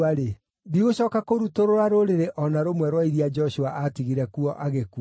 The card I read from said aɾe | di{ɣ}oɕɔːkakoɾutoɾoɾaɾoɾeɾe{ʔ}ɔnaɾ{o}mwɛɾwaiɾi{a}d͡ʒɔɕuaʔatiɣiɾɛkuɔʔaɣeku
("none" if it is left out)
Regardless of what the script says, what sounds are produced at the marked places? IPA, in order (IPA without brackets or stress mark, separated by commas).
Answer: ɣ, ʔ, o, a